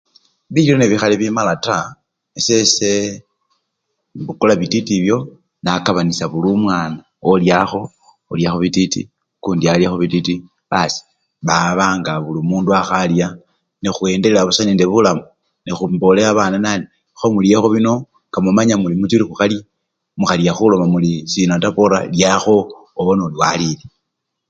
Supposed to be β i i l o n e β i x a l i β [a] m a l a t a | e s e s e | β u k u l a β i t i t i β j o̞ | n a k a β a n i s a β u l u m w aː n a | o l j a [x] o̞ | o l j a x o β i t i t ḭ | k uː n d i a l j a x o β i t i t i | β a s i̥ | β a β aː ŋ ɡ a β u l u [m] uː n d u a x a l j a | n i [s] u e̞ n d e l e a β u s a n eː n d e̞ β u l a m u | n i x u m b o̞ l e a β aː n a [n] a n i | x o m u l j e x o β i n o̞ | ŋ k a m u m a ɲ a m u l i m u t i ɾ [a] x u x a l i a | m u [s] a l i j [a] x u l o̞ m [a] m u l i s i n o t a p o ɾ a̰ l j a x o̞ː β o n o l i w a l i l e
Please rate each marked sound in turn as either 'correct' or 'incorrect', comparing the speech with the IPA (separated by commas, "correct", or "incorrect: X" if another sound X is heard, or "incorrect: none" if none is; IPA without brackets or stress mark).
incorrect: i, correct, correct, incorrect: x, correct, incorrect: i, incorrect: x, correct, correct